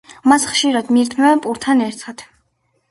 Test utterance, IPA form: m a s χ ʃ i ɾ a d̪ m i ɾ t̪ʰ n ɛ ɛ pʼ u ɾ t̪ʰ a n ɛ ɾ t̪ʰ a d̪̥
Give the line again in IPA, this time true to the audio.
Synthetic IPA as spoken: m a s χ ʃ i ɾ a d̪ m i ɾ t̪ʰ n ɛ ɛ pʼ u ɾ t̪ʰ a n ɛ ɾ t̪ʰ a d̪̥